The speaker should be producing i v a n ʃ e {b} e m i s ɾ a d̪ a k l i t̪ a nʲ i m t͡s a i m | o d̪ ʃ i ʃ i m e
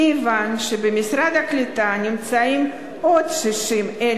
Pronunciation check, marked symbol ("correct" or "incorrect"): correct